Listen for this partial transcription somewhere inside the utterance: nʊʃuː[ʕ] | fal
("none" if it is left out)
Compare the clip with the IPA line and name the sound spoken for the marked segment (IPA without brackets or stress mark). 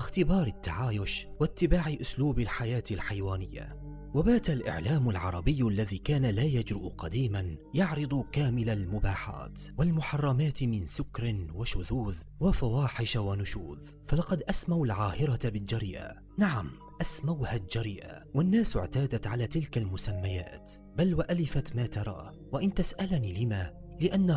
ð